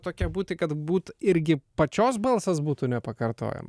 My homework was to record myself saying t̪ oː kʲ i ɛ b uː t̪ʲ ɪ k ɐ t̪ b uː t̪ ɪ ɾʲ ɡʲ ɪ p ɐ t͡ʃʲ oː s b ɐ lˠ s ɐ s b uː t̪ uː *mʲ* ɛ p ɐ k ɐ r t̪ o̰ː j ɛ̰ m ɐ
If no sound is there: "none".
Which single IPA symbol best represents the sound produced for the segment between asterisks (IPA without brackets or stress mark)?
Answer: nʲ